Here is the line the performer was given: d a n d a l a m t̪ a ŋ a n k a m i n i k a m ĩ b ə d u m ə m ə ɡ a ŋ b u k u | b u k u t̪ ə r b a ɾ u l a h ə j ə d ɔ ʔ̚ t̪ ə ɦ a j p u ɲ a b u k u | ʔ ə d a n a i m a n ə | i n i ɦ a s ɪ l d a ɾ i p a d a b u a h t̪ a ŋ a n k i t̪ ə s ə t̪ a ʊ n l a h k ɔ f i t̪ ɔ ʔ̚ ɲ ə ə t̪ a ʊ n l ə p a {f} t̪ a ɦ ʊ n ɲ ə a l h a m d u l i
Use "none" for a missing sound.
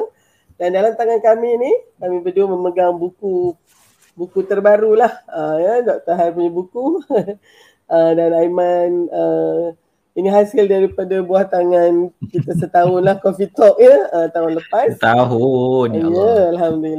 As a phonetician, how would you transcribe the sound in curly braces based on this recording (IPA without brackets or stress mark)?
s